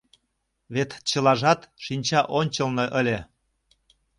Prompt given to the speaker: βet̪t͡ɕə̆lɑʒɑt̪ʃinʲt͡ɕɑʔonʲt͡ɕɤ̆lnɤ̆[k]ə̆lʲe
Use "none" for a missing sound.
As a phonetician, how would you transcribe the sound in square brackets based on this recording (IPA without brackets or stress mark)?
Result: ʔ